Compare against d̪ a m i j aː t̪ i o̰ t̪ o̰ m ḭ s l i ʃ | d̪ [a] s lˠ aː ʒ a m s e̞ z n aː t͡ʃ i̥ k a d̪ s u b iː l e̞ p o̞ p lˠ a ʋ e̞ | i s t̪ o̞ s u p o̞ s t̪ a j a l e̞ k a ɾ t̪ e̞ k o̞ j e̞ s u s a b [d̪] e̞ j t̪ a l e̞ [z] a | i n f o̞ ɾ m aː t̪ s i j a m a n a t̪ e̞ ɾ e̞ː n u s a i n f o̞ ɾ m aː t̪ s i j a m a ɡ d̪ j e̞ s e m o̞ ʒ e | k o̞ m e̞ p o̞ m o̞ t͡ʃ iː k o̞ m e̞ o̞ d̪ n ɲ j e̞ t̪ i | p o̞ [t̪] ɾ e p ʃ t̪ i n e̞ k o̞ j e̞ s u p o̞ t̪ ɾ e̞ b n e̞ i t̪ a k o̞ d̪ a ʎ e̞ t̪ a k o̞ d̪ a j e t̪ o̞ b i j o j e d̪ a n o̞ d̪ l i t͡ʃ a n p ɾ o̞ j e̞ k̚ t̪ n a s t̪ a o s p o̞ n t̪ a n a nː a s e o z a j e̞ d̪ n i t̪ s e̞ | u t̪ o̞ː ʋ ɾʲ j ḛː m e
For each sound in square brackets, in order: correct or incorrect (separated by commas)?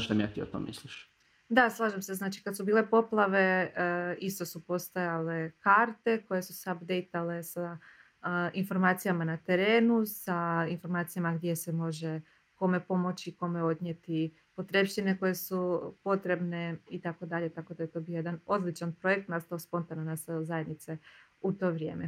correct, correct, incorrect, correct